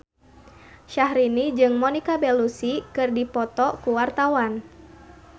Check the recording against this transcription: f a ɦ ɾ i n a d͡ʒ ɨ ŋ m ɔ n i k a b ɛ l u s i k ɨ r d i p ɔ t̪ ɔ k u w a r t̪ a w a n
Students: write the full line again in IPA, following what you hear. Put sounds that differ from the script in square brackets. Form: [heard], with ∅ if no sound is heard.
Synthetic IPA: [ʃ] a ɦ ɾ i n [i] d͡ʒ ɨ ŋ m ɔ n i k a b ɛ l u s i k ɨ r d i p ɔ t̪ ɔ k u w a r t̪ a w a n